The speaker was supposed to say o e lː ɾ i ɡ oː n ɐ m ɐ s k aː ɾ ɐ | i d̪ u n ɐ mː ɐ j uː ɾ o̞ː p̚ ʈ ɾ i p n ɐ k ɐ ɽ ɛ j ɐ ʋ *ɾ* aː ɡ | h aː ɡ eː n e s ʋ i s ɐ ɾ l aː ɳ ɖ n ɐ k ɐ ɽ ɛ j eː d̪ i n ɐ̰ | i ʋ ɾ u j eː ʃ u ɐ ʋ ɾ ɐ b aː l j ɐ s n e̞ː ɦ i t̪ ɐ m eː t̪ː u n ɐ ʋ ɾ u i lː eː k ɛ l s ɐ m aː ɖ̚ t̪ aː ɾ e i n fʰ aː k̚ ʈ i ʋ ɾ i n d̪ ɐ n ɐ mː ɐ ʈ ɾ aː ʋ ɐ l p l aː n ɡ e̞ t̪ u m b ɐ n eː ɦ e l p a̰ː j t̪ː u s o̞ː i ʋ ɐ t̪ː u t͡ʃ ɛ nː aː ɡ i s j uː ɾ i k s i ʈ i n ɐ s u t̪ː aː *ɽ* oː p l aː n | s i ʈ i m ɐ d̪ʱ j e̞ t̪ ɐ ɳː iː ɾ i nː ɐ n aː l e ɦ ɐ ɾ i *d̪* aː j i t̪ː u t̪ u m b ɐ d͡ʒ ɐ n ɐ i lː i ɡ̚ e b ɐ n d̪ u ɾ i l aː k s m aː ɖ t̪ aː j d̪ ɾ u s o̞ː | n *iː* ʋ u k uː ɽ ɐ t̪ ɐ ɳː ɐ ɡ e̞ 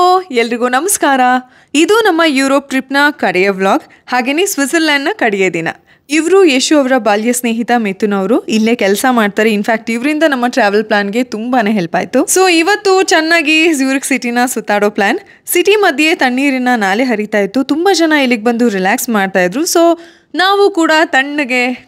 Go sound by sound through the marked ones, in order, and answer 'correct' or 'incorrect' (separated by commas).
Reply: incorrect, correct, incorrect, incorrect